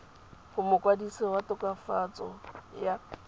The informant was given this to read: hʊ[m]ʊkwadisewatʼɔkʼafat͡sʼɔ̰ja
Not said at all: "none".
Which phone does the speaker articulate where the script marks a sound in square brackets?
m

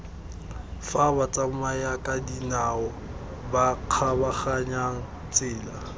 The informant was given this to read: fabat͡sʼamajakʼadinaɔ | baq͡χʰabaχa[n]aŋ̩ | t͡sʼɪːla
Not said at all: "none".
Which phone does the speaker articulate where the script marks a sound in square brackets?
ɲ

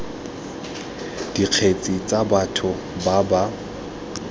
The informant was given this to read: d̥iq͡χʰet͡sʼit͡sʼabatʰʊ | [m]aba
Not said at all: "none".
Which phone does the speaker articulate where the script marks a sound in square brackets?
b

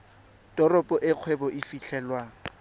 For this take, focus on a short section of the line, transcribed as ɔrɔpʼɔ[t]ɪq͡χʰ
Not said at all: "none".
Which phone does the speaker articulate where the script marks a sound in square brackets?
ʔ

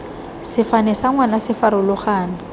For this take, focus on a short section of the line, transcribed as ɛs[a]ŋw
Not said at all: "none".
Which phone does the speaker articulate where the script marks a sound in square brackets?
a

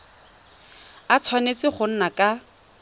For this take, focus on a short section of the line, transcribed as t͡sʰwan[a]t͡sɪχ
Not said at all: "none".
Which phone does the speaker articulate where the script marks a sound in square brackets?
e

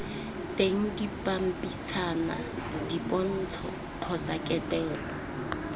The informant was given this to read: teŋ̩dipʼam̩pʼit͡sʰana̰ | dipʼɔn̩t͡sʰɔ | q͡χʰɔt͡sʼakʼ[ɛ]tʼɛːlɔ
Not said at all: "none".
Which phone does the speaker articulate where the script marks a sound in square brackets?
ɛ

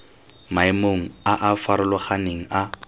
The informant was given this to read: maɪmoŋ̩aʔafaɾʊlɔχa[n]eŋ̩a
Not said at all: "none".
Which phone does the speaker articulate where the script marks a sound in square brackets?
n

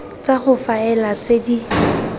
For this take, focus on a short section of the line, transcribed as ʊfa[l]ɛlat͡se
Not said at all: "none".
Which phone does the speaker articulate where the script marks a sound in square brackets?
none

